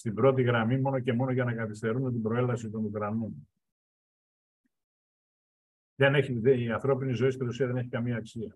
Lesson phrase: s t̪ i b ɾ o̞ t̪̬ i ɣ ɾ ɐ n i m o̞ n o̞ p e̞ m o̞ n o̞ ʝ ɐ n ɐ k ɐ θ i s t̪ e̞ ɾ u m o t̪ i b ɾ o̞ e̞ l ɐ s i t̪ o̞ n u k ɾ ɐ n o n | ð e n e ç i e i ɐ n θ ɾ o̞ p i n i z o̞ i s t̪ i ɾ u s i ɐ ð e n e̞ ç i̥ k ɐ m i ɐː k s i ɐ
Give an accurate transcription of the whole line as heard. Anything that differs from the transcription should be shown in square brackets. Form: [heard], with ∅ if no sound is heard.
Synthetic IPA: s t̪ i b ɾ o̞ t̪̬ i ɣ ɾ ɐ [m] i m o̞ n o̞ [c] e̞ m o̞ n o̞ ʝ ɐ n ɐ k ɐ θ i s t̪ e̞ ɾ u [n] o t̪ i b ɾ o̞ e̞ l ɐ s i t̪ o̞ n u k ɾ ɐ n o n | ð e n e ç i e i ɐ n θ ɾ o̞ p i n i z o̞ i s t̪ i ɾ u s i ɐ ð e n e̞ ç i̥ k ɐ m i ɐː k s i ɐ